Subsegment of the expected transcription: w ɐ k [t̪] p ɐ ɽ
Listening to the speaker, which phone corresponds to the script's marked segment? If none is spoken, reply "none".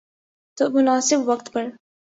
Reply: t̪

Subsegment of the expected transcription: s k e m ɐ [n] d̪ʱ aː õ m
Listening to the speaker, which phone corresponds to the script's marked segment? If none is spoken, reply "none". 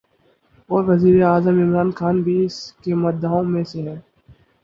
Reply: none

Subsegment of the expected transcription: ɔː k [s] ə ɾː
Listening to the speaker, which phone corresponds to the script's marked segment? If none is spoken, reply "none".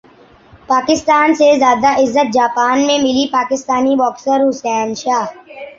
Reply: s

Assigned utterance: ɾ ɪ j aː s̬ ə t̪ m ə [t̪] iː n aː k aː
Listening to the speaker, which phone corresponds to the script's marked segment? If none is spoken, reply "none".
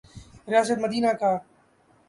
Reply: d̪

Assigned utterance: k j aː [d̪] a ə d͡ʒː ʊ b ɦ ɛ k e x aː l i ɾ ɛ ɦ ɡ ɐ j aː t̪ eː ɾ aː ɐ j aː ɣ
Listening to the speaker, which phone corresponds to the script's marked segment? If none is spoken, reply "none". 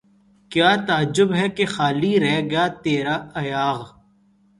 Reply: t̪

